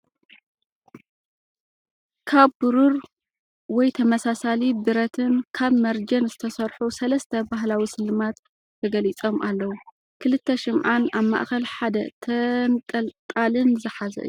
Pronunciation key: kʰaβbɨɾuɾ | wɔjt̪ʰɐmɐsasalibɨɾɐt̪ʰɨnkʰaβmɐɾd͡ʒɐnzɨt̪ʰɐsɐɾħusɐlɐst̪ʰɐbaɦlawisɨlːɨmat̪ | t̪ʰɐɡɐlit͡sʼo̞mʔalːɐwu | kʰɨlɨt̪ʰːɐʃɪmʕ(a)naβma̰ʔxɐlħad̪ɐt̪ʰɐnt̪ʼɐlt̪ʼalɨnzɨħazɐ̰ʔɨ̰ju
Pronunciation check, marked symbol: correct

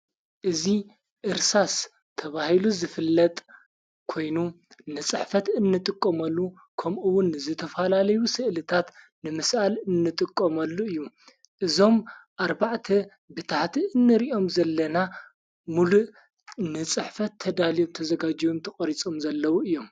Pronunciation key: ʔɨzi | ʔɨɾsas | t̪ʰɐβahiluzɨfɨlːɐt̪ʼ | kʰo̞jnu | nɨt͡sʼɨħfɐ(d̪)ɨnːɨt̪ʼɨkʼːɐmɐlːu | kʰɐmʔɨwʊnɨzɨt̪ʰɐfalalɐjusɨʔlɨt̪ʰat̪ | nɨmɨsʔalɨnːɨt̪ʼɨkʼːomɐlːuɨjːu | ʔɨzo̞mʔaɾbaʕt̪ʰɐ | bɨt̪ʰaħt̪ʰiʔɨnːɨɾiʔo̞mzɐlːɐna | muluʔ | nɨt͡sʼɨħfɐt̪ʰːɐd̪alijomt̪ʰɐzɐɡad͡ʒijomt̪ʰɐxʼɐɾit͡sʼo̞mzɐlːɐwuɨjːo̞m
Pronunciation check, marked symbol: incorrect: t̪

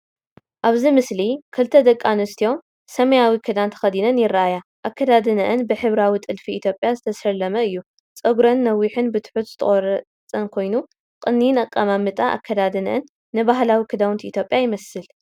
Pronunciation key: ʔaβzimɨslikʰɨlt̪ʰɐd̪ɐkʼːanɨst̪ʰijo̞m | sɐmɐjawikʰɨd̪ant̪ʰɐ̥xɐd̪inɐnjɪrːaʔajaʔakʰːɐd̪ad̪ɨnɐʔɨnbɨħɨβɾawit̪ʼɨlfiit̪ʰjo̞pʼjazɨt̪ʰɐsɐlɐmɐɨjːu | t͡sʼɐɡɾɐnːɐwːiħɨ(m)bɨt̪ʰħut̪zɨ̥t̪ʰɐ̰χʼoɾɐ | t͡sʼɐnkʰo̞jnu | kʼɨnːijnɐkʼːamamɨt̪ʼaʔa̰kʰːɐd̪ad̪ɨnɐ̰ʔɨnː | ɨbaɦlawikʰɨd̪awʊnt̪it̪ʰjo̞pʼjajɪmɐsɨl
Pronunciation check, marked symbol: incorrect: n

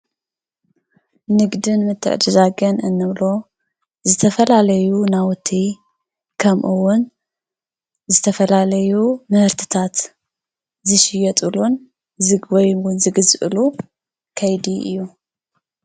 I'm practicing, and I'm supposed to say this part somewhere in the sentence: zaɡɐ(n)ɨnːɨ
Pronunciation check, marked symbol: correct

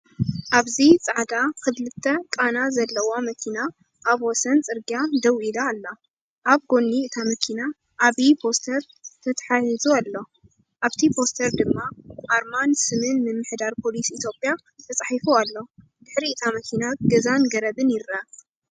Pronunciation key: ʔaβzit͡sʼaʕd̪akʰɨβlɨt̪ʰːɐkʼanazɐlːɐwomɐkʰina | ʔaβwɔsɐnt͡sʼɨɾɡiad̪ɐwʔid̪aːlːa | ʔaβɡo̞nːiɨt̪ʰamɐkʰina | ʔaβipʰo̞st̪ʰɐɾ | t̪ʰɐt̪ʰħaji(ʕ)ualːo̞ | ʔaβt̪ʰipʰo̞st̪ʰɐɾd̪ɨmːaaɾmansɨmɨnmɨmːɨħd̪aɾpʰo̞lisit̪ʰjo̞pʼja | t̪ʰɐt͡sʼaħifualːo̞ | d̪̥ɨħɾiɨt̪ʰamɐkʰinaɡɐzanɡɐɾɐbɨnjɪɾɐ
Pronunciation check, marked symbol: incorrect: z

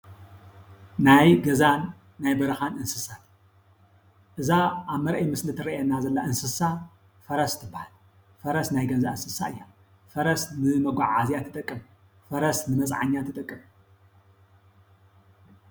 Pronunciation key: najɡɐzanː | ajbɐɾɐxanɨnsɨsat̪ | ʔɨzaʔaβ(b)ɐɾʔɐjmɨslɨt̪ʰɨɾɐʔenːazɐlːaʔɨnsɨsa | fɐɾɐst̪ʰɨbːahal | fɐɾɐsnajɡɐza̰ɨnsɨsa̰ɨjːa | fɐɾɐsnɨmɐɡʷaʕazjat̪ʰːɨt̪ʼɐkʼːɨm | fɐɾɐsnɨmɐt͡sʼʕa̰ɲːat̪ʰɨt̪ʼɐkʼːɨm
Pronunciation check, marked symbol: incorrect: m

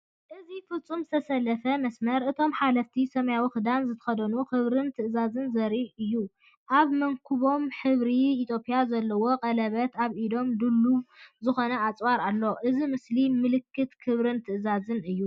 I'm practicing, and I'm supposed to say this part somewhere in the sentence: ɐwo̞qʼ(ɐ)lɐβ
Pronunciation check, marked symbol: correct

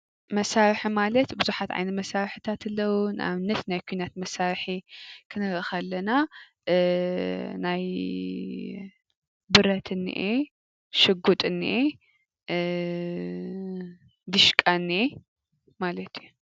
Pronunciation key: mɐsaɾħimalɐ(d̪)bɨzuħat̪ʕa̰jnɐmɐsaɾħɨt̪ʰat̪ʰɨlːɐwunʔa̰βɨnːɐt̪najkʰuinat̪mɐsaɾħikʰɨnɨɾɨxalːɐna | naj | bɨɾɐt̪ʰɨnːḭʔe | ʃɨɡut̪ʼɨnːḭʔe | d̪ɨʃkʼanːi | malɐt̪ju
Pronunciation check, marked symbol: incorrect: t̪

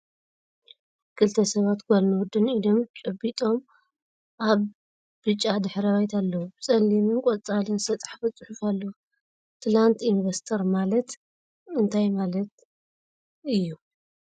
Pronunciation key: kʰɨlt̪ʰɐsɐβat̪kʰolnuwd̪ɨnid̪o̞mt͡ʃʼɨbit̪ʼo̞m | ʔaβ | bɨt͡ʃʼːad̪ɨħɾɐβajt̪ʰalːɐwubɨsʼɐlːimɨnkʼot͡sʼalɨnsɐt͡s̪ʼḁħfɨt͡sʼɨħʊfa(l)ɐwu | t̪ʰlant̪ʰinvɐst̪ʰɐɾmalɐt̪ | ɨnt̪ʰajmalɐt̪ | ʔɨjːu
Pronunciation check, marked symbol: incorrect: lː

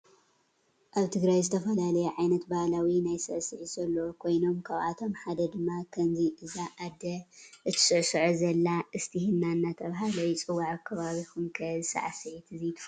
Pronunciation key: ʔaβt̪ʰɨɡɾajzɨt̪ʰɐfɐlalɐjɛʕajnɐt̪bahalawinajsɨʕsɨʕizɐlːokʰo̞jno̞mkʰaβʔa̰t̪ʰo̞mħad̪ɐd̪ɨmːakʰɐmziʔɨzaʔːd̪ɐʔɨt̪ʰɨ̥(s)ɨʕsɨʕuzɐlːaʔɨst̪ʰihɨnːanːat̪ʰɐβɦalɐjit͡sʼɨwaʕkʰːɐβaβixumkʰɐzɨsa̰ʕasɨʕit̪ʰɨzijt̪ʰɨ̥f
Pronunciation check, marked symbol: correct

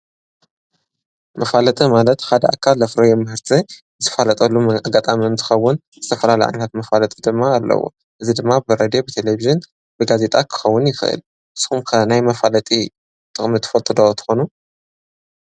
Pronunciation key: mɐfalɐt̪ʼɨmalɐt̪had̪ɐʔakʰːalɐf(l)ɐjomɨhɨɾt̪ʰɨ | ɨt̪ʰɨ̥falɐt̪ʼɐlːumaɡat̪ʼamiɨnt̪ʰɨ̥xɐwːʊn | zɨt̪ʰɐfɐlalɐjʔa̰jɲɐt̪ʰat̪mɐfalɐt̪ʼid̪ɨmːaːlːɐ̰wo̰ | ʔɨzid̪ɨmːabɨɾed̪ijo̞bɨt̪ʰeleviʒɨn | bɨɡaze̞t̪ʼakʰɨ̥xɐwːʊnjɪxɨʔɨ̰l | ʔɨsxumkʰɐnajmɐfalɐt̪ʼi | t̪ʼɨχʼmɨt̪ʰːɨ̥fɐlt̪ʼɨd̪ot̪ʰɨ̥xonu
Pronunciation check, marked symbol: incorrect: ɾ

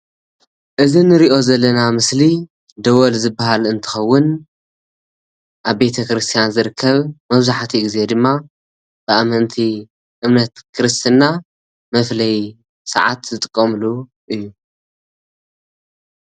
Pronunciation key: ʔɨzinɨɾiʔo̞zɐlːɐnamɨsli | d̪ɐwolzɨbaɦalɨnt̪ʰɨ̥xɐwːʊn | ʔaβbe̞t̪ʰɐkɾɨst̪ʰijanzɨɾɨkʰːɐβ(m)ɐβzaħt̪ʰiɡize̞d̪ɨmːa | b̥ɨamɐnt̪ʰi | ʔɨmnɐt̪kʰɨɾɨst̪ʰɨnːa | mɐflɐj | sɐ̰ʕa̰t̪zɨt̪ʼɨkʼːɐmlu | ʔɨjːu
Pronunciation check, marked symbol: correct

